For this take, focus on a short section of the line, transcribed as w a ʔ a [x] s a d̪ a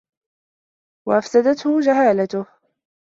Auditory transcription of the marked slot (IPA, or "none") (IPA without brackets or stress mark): f